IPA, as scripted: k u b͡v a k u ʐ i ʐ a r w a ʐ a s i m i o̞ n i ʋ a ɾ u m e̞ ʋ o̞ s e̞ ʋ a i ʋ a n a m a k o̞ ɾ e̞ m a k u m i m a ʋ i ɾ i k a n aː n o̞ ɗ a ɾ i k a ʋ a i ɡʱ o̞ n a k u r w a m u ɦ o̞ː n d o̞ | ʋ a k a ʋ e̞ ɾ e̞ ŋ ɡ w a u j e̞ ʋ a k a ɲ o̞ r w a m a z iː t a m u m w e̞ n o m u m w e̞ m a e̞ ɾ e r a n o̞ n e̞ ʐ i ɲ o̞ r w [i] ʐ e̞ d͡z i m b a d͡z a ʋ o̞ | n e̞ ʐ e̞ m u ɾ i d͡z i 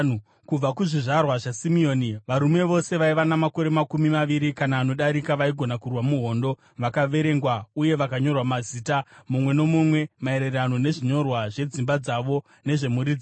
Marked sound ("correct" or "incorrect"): incorrect